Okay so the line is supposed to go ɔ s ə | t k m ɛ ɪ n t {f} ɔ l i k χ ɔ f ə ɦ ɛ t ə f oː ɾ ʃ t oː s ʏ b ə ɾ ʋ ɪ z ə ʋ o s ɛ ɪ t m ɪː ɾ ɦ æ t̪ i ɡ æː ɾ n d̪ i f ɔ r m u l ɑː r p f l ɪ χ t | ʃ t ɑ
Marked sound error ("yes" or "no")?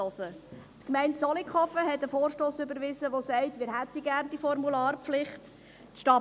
yes